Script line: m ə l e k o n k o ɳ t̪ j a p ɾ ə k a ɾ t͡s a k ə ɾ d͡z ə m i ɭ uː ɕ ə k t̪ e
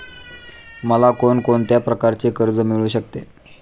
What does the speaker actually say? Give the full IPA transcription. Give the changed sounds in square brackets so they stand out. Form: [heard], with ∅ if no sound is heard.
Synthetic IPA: m ə l [a] k o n k o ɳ t̪ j a p ɾ ə k a ɾ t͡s [e] k ə ɾ d͡z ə m i ɭ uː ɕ ə k t̪ e

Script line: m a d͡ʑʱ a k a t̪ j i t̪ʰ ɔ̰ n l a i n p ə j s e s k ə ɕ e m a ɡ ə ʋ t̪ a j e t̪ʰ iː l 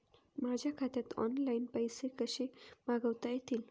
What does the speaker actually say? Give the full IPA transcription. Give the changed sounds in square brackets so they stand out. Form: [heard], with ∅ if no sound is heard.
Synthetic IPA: m a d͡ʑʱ a [kʰ] a t̪ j [a] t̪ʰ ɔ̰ n l a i n p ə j s e [∅] k ə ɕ e m a ɡ ə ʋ t̪ a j e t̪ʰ iː l

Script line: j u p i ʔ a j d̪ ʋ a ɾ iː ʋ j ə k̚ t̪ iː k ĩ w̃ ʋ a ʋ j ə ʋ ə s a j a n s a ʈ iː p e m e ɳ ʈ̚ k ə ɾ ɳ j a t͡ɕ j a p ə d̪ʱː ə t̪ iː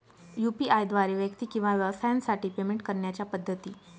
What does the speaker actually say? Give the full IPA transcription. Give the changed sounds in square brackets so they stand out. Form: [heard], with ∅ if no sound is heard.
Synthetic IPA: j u p i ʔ a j d̪ ʋ a ɾ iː ʋ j ə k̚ t̪ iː k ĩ w̃ ʋ a ʋ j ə ʋ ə s a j a n s a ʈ iː p e m e ɳ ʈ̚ k ə ɾ ɳ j a t͡ɕ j a p ə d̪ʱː ə t̪ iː

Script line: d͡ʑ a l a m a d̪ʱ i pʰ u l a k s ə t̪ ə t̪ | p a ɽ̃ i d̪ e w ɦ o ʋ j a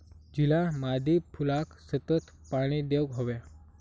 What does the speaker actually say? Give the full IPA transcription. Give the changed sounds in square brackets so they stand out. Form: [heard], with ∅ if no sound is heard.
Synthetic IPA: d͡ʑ [i] l a m a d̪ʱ i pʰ u l a k s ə t̪ ə t̪ | p a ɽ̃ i d̪ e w ɦ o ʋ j a

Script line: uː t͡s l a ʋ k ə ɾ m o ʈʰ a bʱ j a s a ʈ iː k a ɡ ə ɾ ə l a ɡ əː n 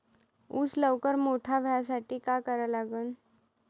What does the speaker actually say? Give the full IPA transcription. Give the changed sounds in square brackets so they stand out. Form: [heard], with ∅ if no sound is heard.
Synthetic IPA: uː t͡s l [ə] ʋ k ə ɾ m o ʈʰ a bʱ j a s a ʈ iː k a [k] ə ɾ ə l a ɡ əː n

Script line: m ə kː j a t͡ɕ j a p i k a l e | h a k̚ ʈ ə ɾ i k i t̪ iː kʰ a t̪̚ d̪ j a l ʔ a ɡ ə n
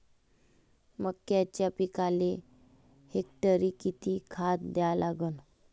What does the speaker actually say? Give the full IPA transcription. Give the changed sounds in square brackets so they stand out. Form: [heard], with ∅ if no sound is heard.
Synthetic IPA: m ə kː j a t͡ɕ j a p i k a l e | h [e] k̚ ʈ ə ɾ i k i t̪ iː kʰ a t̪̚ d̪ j a l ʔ a ɡ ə n

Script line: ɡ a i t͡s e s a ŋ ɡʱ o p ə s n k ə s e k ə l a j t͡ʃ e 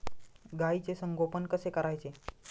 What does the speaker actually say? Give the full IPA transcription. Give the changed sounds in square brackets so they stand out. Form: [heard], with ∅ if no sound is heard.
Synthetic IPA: ɡ a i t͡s e s [ə] ŋ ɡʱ o p ə [∅] n k ə s e k ə [ɾ] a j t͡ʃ e

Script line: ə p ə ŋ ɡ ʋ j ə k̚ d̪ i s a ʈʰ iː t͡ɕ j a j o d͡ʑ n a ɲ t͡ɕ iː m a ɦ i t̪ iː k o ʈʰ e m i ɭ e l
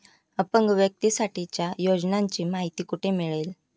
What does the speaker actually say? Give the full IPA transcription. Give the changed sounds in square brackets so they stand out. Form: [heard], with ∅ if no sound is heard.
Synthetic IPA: ə p ə ŋ ɡ ʋ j ə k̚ [t̪] i s a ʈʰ [i] t͡ɕ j a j o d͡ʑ n a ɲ t͡ɕ iː m a ɦ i t̪ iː k [u] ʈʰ e m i ɭ e l

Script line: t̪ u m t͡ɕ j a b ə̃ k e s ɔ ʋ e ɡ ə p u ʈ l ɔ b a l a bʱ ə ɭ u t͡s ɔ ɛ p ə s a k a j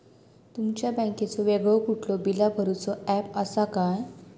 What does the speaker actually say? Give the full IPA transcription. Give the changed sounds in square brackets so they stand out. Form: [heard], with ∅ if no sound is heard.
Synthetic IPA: t̪ u m t͡ɕ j a b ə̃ k e [t͡s] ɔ ʋ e ɡ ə [k] u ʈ l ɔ b [i] l a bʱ ə [ɾ] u t͡s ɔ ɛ p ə s a k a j

